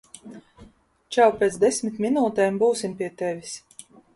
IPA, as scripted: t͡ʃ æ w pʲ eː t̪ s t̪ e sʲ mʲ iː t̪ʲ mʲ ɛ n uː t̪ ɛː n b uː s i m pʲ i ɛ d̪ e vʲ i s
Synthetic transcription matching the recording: t͡ʃ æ w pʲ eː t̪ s d̪ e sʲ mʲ i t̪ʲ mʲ i n uː t̪ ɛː m b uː s i m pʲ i ɛ t̪ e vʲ i s

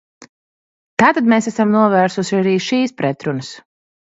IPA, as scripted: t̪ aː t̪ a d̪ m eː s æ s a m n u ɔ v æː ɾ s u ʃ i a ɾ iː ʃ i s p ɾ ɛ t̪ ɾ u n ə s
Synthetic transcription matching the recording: t̪ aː t̪ a d̪ m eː s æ s a m n u ɔ v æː ɾ s u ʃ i a ɾ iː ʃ iː s p ɾ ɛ t̪ ɾ u n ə s

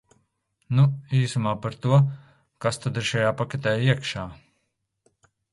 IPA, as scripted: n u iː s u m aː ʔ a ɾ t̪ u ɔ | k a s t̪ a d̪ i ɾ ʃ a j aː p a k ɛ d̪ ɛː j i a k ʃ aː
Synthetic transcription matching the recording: n u iː s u m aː p a ɾ t̪ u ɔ | k a s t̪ a d̪ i ɾ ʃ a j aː p a k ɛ t̪ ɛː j i ɛ k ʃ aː

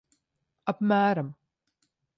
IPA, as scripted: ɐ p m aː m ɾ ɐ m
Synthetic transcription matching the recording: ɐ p m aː ɾ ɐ m

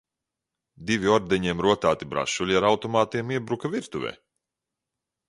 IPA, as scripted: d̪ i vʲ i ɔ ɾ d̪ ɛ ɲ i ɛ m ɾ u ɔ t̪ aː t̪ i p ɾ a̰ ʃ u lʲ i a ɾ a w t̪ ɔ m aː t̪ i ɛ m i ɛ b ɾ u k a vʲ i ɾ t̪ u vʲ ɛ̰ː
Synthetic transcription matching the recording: d̪ i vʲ i ɔ ɾ d̪ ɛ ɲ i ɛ m ɾ u ɔ t̪ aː t̪ i b ɾ a̰ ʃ u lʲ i a ɾ a w t̪ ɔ m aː t̪ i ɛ m i ɛ b ɾ u k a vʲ i ɾ t̪ u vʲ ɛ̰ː

